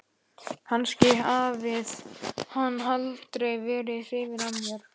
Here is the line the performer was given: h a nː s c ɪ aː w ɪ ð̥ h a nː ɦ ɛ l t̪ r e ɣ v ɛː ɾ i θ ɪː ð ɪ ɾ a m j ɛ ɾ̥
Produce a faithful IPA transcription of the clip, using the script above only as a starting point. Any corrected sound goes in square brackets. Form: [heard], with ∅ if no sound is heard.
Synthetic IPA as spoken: h a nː s c ɪ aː [v] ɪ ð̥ h a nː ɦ [a] l t̪ [ɾ] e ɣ v ɛː ɾ [ɪ] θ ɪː [v] ɪ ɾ a m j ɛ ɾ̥